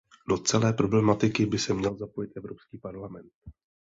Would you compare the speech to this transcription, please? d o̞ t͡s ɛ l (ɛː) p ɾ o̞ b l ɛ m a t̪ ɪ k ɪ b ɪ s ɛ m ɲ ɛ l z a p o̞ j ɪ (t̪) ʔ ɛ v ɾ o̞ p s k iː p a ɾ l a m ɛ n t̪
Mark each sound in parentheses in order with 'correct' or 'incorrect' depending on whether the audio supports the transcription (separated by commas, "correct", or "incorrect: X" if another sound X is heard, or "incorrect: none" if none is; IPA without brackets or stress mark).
correct, correct